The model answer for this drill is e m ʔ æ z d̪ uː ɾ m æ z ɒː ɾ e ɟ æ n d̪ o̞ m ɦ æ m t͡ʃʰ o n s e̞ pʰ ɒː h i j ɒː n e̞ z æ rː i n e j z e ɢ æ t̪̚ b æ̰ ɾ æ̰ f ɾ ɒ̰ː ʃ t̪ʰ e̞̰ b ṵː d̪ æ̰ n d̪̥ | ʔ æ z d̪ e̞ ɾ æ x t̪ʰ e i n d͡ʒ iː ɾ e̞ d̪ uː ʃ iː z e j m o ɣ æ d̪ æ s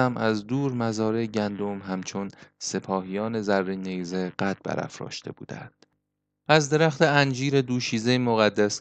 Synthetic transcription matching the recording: æ m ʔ æ z d̪ uː ɾ m æ z ɒː ɾ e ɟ æ n d̪ o̞ m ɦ æ m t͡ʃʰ o n s e̞ pʰ ɒː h i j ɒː n e̞ z æ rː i n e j z e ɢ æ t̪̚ b æ̰ ɾ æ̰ f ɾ ɒ̰ː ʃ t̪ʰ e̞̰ b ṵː d̪ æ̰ n d̪̥ | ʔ æ z d̪ e̞ ɾ æ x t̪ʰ e æ n d͡ʒ iː ɾ e̞ d̪ uː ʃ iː z e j m o ɣ æ d̪ː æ s